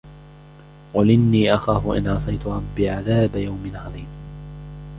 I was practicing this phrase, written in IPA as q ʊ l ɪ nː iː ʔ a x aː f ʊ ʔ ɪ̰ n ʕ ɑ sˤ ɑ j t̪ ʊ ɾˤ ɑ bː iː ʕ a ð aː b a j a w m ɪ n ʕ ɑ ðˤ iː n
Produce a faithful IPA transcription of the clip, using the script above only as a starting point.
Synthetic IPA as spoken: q ʊ l ɪ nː iː ʔ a x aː f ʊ ʔ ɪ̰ n ʕ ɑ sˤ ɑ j t̪ ʊ ɾˤ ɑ bː iː ʕ a ð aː b a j a w m ɪ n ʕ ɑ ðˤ iː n